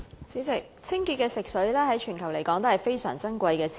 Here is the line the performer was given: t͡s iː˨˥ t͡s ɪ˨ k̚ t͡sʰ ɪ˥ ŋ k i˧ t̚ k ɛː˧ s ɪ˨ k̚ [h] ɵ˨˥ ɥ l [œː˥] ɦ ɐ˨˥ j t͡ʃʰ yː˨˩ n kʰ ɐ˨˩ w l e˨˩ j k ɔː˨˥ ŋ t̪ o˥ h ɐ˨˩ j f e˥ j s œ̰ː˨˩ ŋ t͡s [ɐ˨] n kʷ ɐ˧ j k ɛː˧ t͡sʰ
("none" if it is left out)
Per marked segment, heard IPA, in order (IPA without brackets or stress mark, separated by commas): s, ɛː˥, ɐ˥